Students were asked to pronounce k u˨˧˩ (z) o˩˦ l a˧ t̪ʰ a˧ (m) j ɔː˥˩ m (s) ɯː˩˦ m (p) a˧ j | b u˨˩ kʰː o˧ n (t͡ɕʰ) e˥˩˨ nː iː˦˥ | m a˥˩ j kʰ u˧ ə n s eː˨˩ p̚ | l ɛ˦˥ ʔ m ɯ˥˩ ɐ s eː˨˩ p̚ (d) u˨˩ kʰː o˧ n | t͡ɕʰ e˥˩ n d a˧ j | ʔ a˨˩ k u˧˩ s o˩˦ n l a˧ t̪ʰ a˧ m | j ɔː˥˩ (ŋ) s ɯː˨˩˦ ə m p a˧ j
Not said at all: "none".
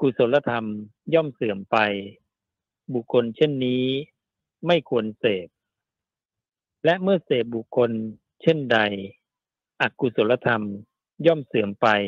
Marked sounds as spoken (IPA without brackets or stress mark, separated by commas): s, m, s, p, t͡ɕʰ, b, m